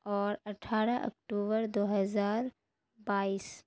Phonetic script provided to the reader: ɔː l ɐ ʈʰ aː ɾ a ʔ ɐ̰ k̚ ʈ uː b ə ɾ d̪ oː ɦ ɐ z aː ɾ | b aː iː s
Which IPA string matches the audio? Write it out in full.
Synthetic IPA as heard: ɔː ɾ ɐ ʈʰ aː ɾ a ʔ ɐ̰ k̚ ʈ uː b ə ɾ d̪ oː ɦ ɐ z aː ɾ | b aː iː s

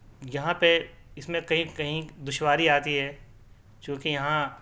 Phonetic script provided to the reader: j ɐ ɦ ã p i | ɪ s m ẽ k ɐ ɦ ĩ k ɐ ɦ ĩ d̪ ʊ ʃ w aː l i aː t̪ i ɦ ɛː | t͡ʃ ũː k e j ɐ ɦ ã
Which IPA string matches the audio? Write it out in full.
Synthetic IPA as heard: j ɐ ɦ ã p e | ɪ s m ẽ k ɐ ɦ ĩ k ɐ ɦ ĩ d̪ ʊ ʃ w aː ɾ i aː t̪ i ɦ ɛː | t͡ʃ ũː k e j ɐ ɦ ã

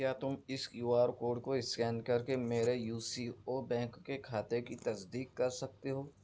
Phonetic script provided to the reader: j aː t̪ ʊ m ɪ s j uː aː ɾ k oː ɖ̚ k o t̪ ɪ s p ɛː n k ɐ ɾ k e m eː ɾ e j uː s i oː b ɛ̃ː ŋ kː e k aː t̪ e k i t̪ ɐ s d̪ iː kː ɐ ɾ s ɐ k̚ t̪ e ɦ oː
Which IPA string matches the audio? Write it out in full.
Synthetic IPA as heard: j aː t̪ ʊ m ɪ s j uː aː ɾ k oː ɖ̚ k o ɪ s k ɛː n k ɐ ɾ k e m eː ɾ e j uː s i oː b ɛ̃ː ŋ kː e kʰ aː t̪ e k i t̪ ɐ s d̪ iː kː ɐ ɾ s ɐ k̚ t̪ e ɦ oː

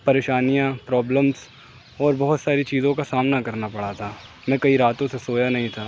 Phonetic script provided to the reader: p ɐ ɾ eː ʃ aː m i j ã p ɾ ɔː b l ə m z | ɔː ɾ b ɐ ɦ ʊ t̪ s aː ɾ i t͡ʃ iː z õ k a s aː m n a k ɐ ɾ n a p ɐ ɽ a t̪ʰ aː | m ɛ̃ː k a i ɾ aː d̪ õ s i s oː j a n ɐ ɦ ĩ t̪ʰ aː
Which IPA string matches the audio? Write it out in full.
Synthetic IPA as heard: p ɐ ɾ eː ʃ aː n i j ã p ɾ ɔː b l ə m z | ɔː ɾ b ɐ ɦ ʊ t̪ s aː ɾ i t͡ʃ iː z õ k a s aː m n a k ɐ ɾ n a p ɐ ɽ a t̪ʰ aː | m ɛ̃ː k ɐ i ɾ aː t̪ õ s e s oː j a n ɐ ɦ ĩ t̪ʰ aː

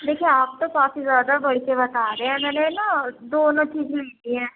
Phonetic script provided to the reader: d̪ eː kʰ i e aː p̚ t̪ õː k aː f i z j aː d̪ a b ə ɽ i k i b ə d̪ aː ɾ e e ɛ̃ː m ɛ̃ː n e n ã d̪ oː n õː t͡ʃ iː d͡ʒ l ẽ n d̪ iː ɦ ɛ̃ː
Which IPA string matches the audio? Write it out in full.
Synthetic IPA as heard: d̪ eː kʰ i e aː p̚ t̪ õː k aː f i z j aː d̪ a b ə ɽ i k e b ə t̪ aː ɾ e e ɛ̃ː m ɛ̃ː n e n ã d̪ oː n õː t͡ʃ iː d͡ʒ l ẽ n d̪ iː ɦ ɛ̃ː

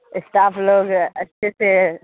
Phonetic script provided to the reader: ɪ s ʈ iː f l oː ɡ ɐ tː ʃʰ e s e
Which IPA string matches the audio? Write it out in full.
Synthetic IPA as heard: ɪ s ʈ aː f l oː ɡ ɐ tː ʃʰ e s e

